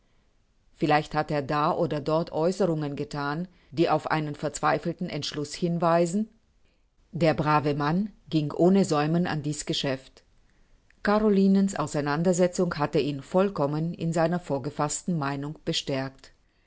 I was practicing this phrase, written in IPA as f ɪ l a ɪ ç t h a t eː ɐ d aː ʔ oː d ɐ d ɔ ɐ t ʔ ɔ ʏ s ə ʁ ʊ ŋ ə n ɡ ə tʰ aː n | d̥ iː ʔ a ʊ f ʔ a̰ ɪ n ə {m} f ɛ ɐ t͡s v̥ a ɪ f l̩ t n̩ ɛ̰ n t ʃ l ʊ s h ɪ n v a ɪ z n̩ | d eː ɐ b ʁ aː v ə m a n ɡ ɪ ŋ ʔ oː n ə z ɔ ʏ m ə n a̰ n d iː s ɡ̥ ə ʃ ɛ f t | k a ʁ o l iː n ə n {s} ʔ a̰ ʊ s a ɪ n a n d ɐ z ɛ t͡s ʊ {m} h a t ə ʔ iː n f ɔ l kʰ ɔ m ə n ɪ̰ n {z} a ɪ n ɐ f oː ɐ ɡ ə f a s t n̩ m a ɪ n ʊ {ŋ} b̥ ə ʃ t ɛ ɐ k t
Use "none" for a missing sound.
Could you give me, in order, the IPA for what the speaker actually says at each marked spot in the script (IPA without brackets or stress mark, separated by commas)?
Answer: n, s, ŋ, z, ŋ